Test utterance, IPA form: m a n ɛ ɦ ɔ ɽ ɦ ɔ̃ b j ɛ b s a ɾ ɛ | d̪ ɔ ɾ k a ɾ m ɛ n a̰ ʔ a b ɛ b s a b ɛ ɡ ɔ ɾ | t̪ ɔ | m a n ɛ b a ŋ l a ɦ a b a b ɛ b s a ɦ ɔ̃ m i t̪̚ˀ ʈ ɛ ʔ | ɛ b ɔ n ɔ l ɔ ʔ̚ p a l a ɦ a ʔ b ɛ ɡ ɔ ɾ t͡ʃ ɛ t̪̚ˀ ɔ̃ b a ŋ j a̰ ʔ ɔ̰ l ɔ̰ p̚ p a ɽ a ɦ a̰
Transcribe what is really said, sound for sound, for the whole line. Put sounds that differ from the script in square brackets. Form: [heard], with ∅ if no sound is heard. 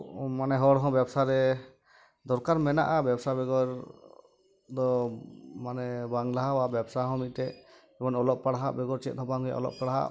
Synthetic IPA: m a n ɛ ɦ ɔ ɽ ɦ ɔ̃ b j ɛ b s a ɾ ɛ | d̪ ɔ ɾ k a ɾ m ɛ n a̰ ʔ a b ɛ b s a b ɛ ɡ ɔ ɾ | [d̪] ɔ | m a n ɛ b a ŋ l a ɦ a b a b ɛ b s a ɦ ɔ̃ m i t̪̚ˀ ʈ ɛ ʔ | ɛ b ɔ n ɔ l ɔ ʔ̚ p a [ɽ] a ɦ a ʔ b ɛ ɡ ɔ ɾ t͡ʃ ɛ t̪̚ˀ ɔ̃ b a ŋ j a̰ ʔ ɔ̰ l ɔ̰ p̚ p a ɽ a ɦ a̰